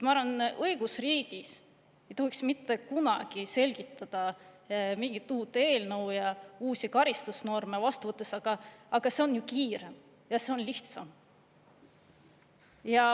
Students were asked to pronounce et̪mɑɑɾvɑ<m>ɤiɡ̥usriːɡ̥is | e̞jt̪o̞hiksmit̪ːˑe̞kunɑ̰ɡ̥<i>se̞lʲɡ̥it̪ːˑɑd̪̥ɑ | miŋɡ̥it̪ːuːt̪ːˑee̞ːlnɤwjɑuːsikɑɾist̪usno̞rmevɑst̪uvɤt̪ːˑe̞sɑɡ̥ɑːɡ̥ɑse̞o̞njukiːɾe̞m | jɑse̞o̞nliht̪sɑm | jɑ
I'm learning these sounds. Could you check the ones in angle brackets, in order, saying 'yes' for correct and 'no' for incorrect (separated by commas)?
no, yes